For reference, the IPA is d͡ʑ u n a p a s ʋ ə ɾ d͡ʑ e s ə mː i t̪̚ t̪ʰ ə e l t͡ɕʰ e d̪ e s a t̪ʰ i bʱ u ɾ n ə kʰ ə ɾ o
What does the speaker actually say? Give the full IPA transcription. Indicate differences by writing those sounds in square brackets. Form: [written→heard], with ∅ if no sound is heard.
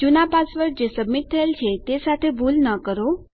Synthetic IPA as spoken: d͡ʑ u n a p a s ʋ ə ɾ d͡ʑ e s ə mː i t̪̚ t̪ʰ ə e l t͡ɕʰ e [d̪→t̪] e s a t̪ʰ [i→e] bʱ u [ɾ→l] n ə [kʰ→k] ə ɾ o